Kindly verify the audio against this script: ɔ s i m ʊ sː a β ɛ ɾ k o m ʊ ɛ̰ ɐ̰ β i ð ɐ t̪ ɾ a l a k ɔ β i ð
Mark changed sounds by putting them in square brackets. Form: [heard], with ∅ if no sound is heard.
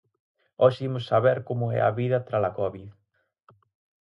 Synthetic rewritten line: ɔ [ʃ] i m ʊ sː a β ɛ ɾ k o m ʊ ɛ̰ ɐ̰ β i ð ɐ t̪ ɾ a l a k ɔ β i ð